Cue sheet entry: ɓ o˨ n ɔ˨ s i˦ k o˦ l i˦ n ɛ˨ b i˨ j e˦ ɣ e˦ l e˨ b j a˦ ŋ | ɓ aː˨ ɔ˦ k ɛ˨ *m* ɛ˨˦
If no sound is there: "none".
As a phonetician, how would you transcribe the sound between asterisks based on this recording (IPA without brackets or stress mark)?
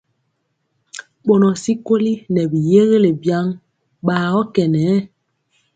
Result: n